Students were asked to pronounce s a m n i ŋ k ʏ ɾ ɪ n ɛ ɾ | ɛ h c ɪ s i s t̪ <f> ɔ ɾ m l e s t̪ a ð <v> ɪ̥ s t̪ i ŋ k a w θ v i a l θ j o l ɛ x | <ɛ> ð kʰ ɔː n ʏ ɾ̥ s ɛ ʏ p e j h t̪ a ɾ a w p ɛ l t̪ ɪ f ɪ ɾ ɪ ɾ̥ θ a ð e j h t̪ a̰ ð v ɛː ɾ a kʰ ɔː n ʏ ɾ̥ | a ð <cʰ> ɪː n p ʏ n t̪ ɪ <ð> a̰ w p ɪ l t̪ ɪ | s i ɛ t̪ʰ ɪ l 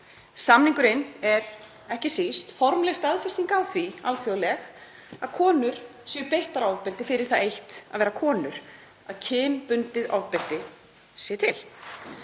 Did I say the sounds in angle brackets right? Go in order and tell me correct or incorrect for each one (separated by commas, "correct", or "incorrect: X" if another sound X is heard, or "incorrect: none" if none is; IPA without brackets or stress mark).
correct, incorrect: f, incorrect: a, correct, correct